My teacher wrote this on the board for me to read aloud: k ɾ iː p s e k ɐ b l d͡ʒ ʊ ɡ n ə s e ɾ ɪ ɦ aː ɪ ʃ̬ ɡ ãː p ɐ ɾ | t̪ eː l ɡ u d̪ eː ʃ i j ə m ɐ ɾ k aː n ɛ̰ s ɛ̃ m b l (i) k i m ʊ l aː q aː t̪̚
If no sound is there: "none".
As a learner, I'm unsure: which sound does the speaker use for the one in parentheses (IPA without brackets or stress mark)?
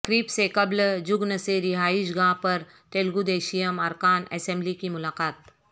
i